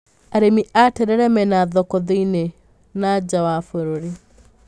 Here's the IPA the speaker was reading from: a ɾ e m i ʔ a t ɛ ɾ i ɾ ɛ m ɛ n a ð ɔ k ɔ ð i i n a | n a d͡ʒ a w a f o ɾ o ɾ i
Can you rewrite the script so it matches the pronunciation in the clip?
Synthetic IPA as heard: a ɾ e m i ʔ a t ɛ ɾ ɛ ɾ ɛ m ɛ n a ð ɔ k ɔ ð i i n e | n a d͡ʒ a w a f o ɾ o ɾ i